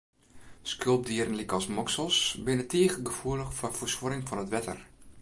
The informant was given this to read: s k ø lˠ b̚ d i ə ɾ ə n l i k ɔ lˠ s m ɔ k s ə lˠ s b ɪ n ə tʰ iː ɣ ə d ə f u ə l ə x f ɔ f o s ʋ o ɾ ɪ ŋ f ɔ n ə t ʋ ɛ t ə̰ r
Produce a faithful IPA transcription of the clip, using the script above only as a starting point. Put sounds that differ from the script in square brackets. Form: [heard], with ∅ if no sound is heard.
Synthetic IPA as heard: s k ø lˠ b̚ d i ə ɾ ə n l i k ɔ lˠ s m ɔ k s ə lˠ s b ɪ n ə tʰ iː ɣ ə [ɡ] ə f u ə l ə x f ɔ f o s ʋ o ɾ ɪ ŋ f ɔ n ə t ʋ ɛ t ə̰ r